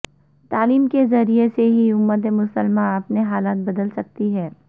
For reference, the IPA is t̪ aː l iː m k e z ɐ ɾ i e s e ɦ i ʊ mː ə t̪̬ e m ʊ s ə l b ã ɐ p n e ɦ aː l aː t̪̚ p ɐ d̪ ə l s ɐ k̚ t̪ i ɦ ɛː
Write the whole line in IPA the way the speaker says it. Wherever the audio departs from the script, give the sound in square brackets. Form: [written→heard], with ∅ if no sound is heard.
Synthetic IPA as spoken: t̪ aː l iː m k e z ɐ ɾ i e s e ɦ i ʊ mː ə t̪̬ e m ʊ s ə l [b→m] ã ɐ p n e ɦ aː l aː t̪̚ [p→b] ɐ d̪ ə l s ɐ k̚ t̪ i ɦ ɛː